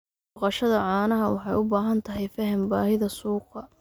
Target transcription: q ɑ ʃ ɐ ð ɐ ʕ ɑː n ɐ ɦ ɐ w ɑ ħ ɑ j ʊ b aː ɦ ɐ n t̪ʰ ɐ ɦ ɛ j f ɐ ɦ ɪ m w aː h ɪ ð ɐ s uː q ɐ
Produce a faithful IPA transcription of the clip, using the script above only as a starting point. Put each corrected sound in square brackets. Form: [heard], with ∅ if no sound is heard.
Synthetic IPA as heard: q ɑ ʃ ɐ ð ɐ ʕ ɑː n ɐ ɦ ɐ w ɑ ħ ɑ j ʊ b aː ɦ ɐ n t̪ʰ ɐ ɦ ɛ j f ɐ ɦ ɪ m [b] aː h ɪ ð ɐ s uː q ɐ